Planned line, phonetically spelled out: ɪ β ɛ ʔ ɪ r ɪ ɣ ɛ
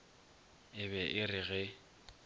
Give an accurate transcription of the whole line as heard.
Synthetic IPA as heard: ɪ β ɛ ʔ ɪ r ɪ ɣ ɛ